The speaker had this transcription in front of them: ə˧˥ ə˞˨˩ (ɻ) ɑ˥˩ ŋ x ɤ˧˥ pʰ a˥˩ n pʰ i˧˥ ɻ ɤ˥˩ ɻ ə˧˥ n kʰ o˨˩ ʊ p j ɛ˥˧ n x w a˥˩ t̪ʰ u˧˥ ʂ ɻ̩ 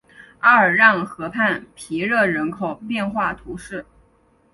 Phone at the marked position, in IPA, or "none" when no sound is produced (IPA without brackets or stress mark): ɻ